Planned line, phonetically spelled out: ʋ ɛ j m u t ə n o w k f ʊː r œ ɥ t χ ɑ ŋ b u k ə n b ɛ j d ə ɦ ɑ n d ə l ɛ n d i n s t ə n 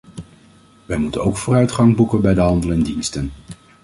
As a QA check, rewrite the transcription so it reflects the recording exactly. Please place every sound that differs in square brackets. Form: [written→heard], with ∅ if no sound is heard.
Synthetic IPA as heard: ʋ ɛ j m u t ə n o w k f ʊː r œ ɥ t χ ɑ ŋ b u k ə n b ɛ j d ə ɦ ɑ n d ə l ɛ n d i n s t ə n